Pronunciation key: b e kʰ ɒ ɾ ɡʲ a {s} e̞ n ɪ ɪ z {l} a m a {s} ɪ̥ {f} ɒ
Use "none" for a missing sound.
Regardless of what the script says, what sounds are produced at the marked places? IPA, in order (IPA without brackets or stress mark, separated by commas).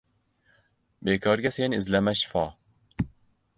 s, l, ʃ, f